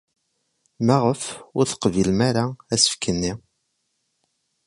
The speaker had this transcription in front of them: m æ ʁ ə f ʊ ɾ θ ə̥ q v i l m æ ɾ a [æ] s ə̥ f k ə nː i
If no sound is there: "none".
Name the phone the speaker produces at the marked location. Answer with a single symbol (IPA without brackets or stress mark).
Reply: æ